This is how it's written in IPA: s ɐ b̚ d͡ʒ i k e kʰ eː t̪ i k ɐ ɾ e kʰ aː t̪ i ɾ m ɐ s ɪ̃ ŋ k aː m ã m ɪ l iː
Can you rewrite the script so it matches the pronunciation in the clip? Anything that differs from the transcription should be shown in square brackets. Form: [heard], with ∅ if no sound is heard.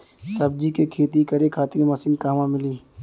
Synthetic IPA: s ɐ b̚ d͡ʒ i k e kʰ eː t̪ i k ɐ ɾ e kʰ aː t̪ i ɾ m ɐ s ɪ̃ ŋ k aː m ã m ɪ l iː